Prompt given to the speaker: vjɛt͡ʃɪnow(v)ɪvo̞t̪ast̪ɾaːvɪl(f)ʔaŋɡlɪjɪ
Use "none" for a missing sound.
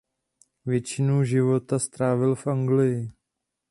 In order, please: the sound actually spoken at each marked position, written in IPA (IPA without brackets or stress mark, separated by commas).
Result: ʒ, f